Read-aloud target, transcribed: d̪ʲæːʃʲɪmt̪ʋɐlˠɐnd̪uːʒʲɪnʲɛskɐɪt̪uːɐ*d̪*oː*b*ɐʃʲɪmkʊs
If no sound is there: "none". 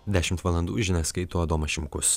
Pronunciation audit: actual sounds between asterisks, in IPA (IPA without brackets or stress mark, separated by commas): d̪, m